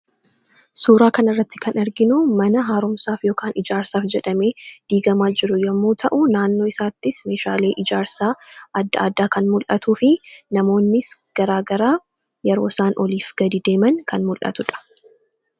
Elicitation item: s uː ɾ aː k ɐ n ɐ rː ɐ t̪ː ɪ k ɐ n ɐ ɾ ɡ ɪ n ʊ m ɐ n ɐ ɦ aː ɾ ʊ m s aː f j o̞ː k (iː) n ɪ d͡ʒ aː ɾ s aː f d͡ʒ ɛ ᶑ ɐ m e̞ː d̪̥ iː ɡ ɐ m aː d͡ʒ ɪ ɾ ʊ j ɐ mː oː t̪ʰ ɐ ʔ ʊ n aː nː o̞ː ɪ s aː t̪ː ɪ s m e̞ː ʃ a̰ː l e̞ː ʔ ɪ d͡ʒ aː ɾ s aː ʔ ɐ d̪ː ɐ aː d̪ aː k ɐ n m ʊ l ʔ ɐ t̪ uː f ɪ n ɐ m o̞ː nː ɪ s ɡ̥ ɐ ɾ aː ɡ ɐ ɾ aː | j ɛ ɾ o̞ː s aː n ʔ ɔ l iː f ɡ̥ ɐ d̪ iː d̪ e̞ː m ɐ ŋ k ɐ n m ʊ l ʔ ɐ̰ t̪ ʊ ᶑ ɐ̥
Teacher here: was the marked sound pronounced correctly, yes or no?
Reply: no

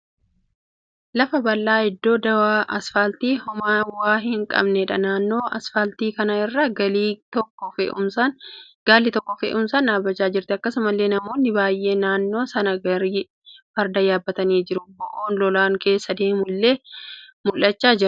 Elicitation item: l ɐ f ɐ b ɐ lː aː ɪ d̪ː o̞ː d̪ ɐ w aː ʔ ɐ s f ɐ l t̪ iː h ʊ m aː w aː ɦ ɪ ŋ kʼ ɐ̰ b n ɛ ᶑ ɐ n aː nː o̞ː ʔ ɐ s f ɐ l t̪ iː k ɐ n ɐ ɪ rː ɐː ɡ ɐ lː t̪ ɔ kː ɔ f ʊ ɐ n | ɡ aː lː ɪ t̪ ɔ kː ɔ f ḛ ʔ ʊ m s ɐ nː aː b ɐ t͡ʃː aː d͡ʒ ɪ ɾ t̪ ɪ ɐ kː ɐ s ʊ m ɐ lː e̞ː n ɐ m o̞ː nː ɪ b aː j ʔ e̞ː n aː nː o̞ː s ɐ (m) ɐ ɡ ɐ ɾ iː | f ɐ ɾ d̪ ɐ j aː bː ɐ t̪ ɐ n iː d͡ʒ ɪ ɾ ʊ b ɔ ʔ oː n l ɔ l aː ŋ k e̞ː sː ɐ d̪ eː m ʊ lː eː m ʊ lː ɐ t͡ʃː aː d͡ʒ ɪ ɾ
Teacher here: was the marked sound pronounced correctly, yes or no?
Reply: no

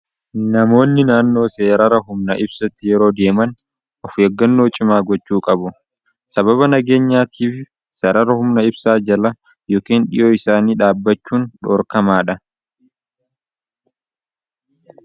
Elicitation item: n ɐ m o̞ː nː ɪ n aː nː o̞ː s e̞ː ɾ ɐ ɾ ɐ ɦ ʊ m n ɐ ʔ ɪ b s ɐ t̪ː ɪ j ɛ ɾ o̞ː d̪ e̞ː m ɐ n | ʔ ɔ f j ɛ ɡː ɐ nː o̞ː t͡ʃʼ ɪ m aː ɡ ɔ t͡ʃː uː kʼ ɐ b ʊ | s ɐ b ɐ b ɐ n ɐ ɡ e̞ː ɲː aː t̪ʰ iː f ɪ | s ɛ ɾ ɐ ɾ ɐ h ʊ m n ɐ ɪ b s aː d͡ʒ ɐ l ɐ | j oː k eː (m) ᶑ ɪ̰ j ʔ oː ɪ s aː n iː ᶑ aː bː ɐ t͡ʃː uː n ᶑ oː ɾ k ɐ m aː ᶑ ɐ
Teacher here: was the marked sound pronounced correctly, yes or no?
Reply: no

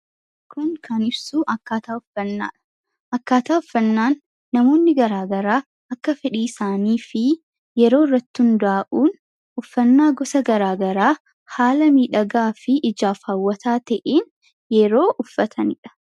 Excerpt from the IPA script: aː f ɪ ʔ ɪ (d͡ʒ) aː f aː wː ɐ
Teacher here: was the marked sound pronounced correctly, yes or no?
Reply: yes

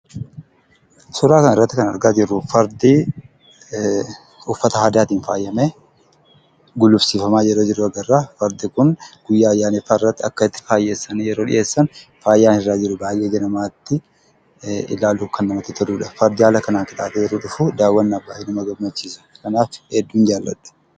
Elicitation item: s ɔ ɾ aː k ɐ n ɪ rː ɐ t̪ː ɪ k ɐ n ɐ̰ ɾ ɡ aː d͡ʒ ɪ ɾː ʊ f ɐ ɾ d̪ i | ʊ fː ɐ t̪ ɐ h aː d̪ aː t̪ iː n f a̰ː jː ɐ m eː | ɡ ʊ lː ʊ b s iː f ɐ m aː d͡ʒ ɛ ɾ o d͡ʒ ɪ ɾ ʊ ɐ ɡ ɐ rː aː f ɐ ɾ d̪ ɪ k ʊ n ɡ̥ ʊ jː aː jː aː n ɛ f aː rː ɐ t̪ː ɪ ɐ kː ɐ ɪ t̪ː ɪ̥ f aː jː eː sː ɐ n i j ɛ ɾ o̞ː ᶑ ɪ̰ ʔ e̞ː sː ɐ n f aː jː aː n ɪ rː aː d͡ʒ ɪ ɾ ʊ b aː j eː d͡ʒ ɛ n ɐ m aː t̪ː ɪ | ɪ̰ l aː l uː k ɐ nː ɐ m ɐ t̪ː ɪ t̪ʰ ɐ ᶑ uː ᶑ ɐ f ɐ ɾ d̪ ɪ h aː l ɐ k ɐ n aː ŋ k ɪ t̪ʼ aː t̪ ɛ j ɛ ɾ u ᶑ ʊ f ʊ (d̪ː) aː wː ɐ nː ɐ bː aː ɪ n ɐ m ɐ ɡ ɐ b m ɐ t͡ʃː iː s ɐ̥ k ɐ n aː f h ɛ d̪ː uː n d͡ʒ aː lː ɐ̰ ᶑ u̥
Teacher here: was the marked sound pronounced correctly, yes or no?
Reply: no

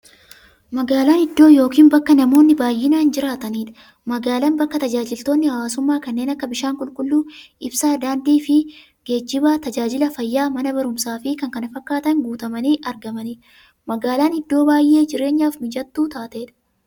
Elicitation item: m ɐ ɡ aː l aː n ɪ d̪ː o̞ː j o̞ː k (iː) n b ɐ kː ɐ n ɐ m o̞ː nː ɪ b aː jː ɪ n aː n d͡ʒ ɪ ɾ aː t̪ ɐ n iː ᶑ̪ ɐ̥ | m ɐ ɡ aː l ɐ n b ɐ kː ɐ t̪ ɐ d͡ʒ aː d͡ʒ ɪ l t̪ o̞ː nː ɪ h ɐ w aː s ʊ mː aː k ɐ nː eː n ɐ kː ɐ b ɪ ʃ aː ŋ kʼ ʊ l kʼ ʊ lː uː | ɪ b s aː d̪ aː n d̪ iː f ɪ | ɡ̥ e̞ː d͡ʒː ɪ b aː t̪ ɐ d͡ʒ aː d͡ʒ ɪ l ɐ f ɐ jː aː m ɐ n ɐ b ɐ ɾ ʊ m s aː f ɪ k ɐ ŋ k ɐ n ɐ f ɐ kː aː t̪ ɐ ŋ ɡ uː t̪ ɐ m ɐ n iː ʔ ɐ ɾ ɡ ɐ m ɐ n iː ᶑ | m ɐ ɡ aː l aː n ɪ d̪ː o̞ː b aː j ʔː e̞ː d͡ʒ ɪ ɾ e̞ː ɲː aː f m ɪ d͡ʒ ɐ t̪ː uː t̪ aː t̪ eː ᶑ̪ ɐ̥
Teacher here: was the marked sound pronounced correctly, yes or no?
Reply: yes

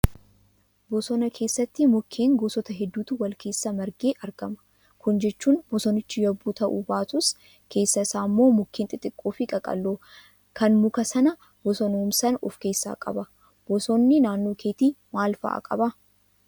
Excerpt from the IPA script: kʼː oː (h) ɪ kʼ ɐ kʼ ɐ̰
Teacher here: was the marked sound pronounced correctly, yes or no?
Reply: no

